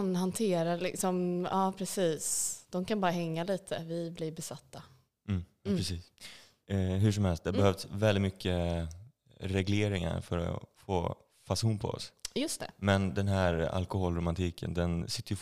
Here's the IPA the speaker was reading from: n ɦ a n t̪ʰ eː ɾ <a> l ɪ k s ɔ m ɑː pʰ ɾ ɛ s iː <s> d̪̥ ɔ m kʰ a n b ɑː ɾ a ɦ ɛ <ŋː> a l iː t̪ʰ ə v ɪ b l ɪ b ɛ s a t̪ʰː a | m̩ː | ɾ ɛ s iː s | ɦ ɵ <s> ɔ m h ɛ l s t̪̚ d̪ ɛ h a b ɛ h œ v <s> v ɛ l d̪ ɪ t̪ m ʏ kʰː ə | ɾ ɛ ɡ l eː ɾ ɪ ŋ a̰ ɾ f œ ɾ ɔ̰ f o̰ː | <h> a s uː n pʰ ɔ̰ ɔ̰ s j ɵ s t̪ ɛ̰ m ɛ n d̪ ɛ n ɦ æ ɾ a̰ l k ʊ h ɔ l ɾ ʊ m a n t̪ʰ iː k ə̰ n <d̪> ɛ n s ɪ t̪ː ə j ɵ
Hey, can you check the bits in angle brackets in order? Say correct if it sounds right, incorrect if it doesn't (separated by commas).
correct, correct, correct, incorrect, correct, incorrect, correct